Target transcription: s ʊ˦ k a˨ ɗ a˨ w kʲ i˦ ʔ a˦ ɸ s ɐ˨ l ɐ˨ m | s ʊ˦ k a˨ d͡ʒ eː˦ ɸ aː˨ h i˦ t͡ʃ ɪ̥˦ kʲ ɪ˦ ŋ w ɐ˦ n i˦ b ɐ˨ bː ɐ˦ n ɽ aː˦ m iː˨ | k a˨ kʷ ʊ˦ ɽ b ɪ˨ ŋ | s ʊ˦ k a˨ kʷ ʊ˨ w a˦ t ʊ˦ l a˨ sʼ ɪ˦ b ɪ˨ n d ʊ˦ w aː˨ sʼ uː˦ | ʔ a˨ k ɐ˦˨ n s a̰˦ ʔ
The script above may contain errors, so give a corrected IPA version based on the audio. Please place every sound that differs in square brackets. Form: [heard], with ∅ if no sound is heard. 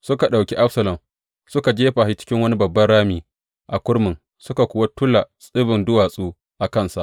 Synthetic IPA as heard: s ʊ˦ k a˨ ɗ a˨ w kʲ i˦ ʔ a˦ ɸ s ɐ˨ l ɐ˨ m | s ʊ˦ k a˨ d͡ʒ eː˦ ɸ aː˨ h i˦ t͡ʃ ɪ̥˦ kʲ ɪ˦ ŋ w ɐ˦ n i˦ b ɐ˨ bː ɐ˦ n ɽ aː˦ m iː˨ | [ʔ] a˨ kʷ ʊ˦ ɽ [m] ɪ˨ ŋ | s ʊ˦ k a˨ kʷ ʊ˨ w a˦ t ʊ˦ l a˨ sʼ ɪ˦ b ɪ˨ n d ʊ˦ w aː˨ sʼ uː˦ | ʔ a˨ k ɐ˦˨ n s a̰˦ ʔ